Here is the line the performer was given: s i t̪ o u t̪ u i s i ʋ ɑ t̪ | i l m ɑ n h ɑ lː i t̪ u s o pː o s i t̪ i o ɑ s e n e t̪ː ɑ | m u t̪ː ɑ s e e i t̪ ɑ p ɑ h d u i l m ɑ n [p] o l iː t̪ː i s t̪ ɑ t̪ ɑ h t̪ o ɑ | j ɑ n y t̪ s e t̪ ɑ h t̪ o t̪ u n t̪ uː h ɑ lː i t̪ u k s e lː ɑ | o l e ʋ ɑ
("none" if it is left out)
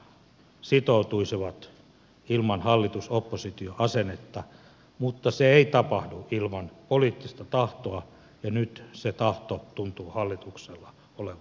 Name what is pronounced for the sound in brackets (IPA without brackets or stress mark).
p